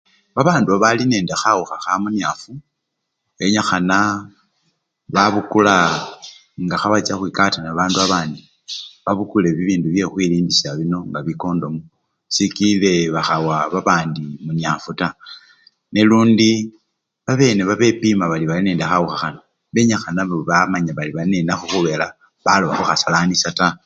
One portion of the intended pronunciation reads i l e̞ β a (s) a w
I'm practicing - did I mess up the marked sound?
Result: yes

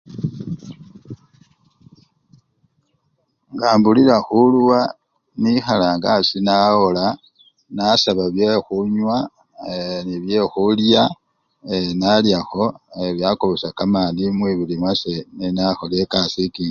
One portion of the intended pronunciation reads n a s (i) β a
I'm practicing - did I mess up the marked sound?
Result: yes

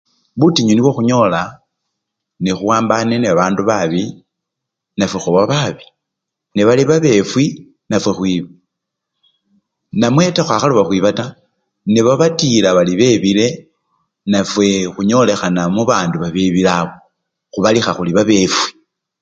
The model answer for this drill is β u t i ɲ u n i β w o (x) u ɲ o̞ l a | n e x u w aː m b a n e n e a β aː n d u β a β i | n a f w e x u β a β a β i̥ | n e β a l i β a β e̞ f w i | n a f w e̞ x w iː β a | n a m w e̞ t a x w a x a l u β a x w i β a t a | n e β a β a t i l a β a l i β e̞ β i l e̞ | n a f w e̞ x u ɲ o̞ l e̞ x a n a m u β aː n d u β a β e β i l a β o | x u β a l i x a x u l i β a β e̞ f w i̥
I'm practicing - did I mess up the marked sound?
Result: no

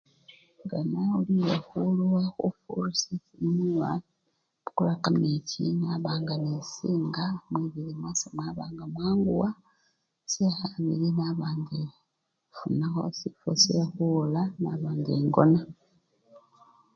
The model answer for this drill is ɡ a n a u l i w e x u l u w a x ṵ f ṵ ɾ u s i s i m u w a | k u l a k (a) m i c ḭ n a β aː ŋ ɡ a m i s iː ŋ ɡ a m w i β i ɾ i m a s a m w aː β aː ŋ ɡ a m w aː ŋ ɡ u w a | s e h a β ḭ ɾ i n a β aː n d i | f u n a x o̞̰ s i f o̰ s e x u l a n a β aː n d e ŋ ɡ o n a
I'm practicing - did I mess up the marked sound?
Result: no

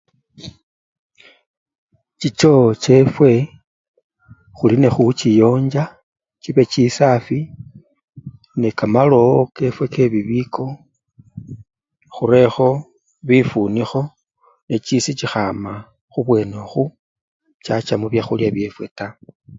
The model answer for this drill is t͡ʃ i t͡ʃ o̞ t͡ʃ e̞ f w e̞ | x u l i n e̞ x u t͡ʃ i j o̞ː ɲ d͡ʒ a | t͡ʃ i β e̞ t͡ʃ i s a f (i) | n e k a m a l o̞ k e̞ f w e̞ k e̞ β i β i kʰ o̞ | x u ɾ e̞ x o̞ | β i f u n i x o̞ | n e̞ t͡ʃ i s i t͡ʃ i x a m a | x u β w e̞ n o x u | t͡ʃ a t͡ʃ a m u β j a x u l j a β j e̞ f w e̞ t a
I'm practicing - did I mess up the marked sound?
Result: no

